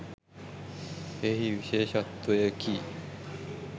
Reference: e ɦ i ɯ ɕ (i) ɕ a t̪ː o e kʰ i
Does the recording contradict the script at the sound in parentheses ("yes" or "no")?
yes